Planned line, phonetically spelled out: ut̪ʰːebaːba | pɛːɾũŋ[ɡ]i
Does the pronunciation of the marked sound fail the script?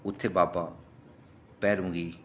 no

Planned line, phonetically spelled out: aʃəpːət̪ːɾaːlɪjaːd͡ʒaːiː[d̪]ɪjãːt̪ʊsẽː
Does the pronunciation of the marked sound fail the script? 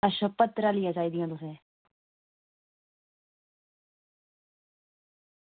no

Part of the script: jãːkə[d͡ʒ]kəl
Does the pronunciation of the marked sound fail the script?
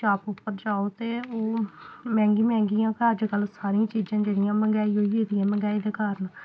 no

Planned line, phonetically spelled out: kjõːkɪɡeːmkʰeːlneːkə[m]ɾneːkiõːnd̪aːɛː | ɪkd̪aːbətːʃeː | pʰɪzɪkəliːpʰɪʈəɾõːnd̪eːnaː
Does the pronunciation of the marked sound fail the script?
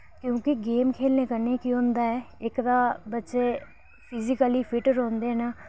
yes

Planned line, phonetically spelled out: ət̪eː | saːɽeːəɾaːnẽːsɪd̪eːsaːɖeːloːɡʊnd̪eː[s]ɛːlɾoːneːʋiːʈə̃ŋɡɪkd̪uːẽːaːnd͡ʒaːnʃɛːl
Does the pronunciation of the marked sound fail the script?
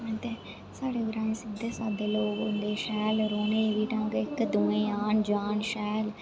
yes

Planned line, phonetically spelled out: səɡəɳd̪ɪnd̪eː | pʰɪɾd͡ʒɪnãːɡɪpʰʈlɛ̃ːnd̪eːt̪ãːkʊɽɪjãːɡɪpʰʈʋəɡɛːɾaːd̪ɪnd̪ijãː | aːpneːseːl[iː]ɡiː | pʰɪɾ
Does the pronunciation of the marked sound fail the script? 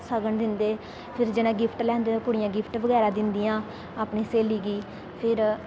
no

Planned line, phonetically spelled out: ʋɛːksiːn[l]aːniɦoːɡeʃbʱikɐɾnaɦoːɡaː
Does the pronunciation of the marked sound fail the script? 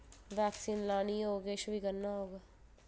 no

